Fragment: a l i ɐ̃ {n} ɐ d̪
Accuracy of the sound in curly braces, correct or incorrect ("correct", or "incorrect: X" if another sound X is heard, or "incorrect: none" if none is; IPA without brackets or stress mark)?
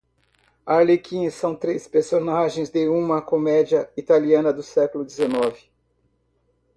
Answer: correct